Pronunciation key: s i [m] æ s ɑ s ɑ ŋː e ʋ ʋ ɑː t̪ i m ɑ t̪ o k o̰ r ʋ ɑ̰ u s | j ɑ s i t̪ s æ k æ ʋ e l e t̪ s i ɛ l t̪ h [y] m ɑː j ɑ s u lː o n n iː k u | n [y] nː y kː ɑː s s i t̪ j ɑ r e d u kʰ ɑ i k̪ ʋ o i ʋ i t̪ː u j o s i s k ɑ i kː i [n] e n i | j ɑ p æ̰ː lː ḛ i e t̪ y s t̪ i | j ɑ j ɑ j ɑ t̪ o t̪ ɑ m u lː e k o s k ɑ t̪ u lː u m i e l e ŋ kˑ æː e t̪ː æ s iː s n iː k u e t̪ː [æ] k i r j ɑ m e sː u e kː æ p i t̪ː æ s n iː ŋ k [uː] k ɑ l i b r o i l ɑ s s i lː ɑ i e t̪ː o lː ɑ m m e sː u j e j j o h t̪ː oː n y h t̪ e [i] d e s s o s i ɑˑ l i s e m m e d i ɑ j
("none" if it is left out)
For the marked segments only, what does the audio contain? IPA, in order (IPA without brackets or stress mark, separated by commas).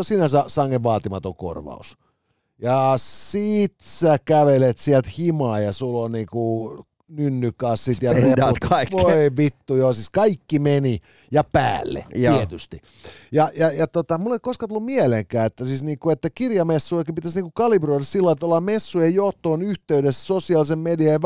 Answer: n, i, y, m, æ, u, y